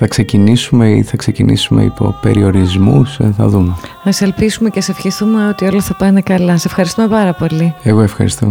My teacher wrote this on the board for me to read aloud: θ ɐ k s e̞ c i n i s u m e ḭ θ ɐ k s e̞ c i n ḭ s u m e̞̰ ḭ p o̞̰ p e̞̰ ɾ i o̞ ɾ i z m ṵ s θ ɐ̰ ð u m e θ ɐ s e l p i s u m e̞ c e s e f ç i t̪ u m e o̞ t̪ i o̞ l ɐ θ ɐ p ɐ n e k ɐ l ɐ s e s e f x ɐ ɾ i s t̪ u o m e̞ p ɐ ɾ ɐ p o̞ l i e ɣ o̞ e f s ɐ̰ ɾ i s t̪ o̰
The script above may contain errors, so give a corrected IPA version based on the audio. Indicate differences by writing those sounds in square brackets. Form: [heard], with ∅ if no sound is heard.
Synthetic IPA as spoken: θ ɐ k s e̞ c i n i s u m e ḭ θ ɐ k s e̞ c i n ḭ s u m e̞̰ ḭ p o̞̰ p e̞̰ ɾ i o̞ ɾ i z m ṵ s θ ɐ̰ ð u m e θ ɐ s e l p i s u m e̞ c e s e f ç i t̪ u m e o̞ t̪ i o̞ l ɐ θ ɐ p ɐ n e k ɐ l ɐ s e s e f x ɐ ɾ i s t̪ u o m e̞ p ɐ ɾ ɐ p o̞ l i e ɣ o̞ e f [x] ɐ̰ ɾ i s t̪ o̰